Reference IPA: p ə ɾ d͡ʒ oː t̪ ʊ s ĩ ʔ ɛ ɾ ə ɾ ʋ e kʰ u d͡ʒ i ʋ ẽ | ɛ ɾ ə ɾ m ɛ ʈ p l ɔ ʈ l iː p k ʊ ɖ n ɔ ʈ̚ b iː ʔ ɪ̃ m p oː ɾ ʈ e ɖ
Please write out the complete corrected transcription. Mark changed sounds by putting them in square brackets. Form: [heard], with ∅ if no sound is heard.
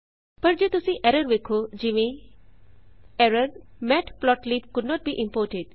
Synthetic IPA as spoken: p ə ɾ d͡ʒ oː t̪ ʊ s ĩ ʔ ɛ ɾ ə ɾ ʋ e kʰ [o] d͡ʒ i ʋ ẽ | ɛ ɾ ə ɾ m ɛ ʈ p l ɔ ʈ l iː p k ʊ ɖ n ɔ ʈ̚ b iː ʔ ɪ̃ m p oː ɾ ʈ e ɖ